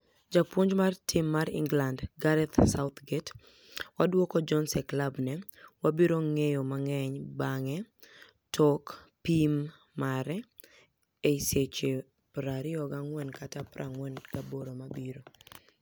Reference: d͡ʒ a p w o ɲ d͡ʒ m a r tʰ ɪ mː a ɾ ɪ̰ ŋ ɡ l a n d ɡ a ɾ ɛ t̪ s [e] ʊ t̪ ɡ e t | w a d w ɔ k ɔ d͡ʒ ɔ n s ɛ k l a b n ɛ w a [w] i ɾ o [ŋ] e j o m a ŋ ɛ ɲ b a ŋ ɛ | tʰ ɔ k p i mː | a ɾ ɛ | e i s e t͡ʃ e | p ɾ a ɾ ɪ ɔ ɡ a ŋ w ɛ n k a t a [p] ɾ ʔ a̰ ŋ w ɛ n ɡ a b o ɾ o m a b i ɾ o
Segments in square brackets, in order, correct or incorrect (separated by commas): incorrect, incorrect, correct, correct